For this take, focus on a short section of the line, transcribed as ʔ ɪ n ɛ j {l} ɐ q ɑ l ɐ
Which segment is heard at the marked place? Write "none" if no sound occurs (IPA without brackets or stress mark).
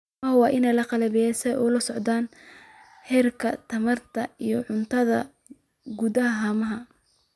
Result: l